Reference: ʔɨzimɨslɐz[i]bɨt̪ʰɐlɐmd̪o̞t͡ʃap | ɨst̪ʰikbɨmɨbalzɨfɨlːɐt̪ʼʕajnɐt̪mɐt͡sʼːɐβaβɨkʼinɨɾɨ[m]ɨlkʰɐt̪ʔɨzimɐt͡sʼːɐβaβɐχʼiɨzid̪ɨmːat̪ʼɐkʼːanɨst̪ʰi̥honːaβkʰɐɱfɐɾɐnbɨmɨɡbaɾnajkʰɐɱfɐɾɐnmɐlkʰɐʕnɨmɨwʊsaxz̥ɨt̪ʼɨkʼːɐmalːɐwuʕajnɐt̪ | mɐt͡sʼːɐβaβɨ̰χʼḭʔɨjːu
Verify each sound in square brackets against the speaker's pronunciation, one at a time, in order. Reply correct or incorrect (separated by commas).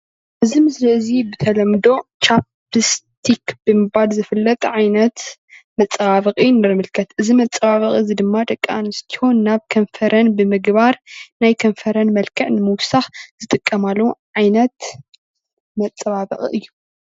correct, correct